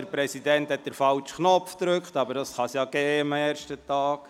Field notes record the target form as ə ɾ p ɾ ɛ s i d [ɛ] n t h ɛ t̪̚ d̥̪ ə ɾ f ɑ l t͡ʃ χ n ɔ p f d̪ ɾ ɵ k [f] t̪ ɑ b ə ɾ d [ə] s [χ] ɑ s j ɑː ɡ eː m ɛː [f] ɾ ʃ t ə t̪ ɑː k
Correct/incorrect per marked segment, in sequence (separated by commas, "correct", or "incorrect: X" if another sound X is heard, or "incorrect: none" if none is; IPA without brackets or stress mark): correct, incorrect: χ, incorrect: ɑ, correct, incorrect: none